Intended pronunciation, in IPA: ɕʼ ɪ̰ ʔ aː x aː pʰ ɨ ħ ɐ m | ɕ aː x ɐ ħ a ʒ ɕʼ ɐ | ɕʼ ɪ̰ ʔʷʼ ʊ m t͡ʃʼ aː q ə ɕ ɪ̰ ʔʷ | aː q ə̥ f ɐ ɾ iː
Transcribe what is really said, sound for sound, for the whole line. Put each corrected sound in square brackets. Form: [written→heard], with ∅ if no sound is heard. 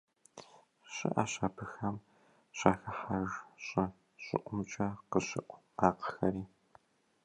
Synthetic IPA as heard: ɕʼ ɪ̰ ʔ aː [x→ɕ] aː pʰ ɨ [ħ→x] ɐ m | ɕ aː x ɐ ħ a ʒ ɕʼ ɐ | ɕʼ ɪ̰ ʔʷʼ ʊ m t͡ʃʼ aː q ə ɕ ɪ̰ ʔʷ | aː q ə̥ [f→x] ɐ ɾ iː